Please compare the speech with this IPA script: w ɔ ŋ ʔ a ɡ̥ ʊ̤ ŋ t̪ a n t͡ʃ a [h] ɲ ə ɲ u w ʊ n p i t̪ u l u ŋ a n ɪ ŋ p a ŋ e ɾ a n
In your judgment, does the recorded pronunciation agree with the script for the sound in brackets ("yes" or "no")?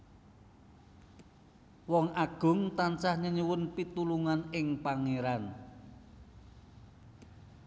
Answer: yes